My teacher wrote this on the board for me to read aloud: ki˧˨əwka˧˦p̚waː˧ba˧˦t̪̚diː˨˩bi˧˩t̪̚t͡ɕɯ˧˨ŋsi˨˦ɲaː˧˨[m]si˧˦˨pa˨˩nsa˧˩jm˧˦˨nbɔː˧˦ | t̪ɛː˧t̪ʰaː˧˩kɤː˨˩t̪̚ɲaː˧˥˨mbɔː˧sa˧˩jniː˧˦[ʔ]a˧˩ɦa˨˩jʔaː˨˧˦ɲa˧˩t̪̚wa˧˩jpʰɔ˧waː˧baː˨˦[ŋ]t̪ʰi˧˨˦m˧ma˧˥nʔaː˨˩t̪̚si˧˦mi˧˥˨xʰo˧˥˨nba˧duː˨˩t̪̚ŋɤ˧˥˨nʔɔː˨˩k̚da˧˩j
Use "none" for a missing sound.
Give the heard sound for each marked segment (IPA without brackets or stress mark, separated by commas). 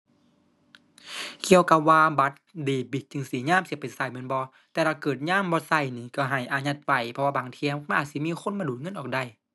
m, k, ŋ